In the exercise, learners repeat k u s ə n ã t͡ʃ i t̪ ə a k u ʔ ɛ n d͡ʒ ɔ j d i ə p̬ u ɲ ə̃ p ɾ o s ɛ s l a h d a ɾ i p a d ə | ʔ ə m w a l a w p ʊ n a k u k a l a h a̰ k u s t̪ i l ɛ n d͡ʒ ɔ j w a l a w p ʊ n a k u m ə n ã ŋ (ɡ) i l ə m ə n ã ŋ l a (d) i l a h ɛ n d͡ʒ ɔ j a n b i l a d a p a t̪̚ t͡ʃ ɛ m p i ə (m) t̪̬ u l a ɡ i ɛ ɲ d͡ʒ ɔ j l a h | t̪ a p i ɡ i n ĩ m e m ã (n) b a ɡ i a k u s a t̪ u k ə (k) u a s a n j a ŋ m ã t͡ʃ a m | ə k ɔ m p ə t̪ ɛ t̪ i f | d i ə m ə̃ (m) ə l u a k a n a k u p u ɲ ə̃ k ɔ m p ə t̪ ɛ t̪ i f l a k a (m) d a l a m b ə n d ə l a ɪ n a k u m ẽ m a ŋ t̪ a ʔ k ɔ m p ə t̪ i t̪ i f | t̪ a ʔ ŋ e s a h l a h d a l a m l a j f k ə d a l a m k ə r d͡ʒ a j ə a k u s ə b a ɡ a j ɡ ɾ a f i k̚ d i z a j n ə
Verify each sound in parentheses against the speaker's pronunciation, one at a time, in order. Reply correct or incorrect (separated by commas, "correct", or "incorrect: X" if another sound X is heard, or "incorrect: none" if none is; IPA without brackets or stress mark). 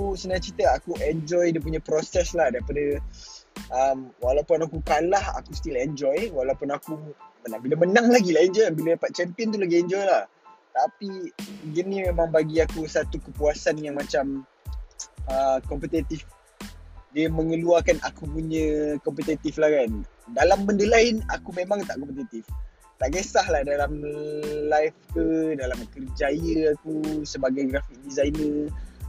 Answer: incorrect: b, incorrect: ɡ, incorrect: n, incorrect: ŋ, incorrect: p, incorrect: ŋ, incorrect: n